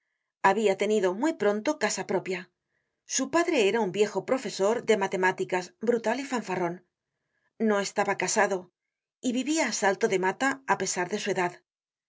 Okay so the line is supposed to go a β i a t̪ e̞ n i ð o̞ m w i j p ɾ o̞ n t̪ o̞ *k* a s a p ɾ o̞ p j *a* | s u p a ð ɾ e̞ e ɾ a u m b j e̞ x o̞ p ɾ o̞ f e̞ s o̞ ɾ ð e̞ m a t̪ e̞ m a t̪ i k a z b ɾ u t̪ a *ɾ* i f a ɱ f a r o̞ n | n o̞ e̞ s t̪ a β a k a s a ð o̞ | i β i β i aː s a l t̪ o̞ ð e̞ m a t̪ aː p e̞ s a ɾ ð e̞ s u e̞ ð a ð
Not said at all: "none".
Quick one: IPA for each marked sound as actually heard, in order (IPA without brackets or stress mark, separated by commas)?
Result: k, a, l